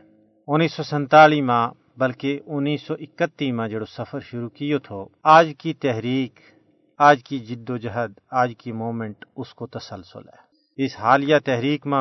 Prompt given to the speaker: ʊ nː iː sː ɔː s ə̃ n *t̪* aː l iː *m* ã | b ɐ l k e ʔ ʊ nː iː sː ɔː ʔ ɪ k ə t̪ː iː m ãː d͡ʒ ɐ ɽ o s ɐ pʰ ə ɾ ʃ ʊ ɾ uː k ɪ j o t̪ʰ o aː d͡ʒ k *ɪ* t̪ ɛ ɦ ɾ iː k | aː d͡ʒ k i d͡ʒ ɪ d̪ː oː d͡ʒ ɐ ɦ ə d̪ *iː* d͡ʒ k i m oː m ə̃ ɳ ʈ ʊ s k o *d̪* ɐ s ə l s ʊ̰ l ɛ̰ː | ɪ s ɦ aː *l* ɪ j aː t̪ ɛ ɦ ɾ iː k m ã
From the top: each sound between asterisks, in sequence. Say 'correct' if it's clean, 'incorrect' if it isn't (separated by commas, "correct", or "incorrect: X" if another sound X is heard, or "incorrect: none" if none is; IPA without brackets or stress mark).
correct, correct, incorrect: i, incorrect: aː, incorrect: t̪, correct